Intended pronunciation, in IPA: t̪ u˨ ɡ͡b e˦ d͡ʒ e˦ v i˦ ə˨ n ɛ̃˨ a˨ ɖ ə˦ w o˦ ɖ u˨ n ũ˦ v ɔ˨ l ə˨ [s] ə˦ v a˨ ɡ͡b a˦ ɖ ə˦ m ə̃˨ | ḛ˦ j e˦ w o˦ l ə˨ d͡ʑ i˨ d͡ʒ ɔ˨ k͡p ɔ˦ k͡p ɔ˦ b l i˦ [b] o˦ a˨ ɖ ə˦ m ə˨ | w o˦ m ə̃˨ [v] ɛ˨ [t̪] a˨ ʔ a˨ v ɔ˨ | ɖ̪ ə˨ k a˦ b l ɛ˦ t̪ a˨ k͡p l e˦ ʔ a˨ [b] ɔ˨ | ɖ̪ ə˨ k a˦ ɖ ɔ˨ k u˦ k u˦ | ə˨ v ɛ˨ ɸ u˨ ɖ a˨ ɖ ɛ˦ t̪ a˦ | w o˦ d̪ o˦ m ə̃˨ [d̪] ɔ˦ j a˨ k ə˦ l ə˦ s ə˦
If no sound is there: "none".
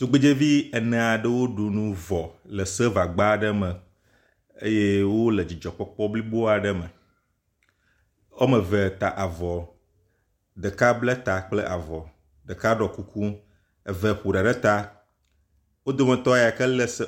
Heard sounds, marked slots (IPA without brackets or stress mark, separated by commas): s, b, v, t̪, v, t̪